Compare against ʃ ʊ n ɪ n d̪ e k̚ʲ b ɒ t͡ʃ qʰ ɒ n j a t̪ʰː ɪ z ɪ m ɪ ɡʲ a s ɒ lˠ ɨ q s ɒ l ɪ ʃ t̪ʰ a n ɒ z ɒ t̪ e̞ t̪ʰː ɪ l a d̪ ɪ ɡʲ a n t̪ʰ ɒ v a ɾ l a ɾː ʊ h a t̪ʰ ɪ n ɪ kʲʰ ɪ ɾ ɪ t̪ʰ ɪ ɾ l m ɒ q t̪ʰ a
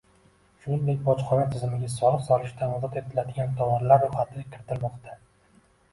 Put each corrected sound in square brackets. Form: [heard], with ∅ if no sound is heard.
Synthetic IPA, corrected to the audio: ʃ ʊ n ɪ n d̪ e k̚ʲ b ɒ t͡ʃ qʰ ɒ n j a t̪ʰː ɪ z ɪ m ɪ ɡʲ a s ɒ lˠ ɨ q s ɒ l ɪ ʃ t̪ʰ a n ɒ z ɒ t̪ e̞ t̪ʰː ɪ l a d̪ ɪ ɡʲ a n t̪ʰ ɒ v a ɾ l a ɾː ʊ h a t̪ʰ ɪ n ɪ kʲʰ ɪ ɾ ɪ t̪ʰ ɪ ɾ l m ɒ q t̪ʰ a